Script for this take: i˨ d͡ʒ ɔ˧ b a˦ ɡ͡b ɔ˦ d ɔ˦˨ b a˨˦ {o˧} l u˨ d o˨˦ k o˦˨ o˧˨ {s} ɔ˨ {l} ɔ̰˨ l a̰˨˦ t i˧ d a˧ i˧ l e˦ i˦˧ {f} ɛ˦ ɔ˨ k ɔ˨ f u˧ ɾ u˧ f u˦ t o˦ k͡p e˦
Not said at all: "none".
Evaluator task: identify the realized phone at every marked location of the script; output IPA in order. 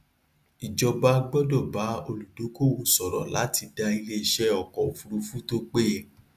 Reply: o˧, s, ɾ, ʃ

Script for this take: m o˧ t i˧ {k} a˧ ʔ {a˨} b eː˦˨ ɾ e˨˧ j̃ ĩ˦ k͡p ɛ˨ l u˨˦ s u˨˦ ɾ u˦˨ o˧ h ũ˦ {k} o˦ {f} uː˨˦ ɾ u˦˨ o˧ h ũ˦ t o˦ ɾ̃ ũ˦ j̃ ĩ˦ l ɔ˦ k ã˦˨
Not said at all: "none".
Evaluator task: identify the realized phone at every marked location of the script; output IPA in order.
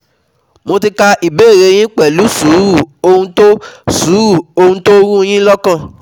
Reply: k, i˨, t, s

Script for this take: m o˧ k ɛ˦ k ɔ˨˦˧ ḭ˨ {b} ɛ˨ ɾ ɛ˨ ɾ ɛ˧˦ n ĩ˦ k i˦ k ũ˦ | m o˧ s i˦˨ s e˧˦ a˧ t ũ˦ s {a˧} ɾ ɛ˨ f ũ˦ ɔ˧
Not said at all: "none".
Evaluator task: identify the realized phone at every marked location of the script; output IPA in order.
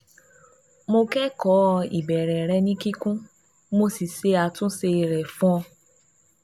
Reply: b, e˧

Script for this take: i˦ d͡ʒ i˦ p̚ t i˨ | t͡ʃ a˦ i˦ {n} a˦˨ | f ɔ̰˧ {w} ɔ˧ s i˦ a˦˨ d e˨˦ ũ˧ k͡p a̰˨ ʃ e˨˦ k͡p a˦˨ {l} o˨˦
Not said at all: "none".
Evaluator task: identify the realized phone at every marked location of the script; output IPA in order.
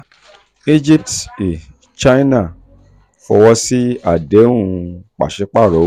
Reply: n, w, ɾ

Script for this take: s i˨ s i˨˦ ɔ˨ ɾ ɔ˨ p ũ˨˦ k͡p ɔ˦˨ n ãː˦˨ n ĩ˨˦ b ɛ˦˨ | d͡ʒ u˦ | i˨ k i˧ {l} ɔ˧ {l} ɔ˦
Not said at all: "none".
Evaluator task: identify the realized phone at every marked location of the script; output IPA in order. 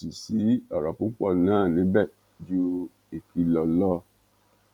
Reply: l, l

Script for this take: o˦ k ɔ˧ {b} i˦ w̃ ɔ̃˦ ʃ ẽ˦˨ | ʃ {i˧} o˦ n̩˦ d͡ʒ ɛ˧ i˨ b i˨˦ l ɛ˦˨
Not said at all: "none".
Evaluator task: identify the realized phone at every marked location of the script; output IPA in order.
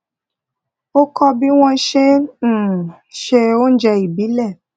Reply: b, e˧

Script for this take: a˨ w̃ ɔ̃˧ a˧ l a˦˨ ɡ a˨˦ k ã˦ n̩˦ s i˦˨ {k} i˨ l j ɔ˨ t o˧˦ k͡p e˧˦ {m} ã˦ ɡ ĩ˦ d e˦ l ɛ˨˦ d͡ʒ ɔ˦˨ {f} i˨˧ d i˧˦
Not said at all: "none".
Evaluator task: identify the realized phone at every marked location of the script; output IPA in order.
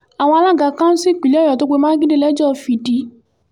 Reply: k͡p, m, f

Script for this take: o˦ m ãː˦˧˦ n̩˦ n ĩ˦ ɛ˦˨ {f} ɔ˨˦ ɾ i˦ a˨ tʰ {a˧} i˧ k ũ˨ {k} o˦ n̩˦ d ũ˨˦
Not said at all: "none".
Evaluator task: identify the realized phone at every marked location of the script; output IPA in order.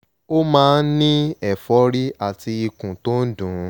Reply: f, i˧, t

